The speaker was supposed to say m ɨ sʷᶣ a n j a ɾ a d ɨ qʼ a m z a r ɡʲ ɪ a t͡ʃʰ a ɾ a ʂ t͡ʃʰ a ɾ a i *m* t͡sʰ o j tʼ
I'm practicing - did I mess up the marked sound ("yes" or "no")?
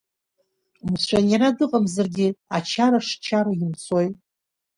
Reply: no